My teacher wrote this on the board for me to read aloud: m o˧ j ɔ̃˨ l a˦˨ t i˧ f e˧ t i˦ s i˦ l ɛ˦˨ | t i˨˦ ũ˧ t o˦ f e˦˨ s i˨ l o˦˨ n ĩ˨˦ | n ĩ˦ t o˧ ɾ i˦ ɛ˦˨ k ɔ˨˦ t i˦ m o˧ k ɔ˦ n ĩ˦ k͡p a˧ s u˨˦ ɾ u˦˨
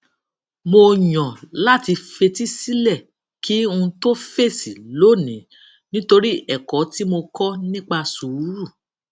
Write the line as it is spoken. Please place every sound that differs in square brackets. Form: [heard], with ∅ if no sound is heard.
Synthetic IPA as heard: m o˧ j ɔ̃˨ l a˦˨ t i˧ f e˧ t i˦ s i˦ l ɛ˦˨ | [k] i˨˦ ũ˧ t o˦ f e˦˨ s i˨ l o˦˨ n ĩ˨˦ | n ĩ˦ t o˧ ɾ i˦ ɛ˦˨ k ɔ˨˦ t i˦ m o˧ k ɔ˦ n ĩ˦ k͡p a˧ s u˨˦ ɾ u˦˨